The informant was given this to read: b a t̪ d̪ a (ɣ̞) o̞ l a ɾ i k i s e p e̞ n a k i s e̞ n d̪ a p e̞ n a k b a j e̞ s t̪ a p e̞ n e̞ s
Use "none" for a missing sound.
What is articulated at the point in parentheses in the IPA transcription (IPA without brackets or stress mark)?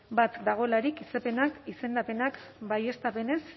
ɣ̞